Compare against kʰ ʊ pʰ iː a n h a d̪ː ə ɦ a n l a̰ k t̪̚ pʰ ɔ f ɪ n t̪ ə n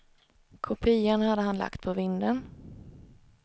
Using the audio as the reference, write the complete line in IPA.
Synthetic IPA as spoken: kʰ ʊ pʰ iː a n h a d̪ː ə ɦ a n l a̰ k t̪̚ pʰ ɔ v ɪ n d̪ ə n